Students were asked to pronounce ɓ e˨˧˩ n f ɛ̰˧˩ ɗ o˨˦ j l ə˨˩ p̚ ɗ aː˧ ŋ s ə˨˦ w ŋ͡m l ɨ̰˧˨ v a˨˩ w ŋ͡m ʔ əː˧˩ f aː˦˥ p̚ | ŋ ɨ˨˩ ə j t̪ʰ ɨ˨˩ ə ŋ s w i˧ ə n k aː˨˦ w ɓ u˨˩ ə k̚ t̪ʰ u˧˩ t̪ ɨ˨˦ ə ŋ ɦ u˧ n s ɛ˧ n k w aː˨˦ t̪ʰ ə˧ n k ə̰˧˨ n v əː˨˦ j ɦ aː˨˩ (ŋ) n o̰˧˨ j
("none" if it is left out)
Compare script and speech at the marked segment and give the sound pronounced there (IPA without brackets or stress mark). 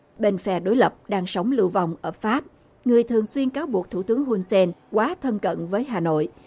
none